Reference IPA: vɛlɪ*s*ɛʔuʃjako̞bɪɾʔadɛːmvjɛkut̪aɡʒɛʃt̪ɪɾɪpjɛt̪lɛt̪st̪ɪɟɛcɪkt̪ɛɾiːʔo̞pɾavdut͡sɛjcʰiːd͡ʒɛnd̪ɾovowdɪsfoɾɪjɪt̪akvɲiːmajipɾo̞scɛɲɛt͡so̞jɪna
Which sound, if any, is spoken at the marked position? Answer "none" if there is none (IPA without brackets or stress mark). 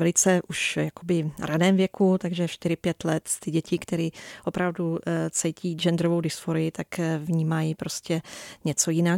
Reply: t͡s